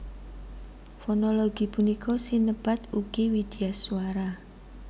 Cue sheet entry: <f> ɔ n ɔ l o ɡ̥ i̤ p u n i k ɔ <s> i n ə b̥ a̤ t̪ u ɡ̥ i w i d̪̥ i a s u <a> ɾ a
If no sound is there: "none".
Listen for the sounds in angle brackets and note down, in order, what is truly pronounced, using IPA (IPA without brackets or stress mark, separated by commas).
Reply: f, s, a